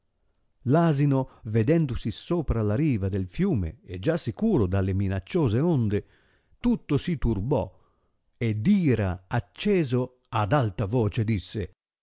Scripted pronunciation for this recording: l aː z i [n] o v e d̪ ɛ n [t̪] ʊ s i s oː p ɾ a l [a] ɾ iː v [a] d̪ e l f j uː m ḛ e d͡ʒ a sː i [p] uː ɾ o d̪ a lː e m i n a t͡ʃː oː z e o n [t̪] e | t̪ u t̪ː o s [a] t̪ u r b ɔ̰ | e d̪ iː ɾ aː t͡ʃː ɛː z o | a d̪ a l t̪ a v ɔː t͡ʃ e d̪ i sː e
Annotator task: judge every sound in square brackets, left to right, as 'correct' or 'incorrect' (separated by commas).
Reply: correct, incorrect, correct, correct, incorrect, incorrect, incorrect